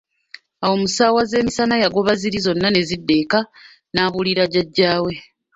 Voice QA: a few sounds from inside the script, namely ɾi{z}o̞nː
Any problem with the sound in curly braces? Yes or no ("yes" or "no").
no